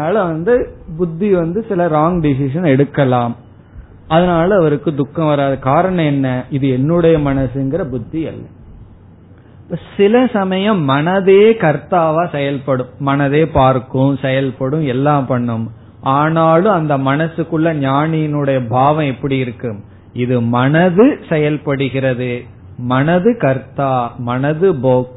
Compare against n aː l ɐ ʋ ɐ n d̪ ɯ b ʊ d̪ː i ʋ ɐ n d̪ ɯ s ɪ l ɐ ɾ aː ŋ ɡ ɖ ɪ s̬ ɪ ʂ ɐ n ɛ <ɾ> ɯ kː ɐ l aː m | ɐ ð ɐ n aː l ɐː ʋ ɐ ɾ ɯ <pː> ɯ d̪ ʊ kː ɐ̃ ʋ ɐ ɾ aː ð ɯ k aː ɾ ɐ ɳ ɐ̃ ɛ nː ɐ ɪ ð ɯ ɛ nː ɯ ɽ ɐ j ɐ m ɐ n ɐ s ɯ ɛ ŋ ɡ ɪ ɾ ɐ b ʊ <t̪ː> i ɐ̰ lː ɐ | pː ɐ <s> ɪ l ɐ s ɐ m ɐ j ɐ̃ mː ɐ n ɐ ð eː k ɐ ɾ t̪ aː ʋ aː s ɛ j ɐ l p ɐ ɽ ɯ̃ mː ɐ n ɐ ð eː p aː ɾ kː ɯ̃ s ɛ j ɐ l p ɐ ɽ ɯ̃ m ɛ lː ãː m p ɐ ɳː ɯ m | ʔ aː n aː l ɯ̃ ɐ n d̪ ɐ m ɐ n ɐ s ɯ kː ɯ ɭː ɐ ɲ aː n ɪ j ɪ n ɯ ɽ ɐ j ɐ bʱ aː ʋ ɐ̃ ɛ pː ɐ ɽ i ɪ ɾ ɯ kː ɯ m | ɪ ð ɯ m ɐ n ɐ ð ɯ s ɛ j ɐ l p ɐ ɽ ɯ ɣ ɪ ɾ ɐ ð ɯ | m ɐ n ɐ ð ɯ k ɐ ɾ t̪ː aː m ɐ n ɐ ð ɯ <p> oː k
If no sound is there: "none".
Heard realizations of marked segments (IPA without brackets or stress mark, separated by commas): ɽ, kː, d̪ː, s, b